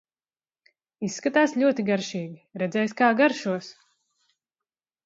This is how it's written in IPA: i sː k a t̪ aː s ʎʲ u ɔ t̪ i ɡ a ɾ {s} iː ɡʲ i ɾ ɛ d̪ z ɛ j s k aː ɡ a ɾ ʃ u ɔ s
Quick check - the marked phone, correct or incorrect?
incorrect